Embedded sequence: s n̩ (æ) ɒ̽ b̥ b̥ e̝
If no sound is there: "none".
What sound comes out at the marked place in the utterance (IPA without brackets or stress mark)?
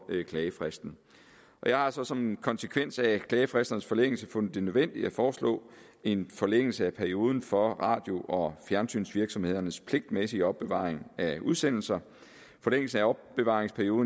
æ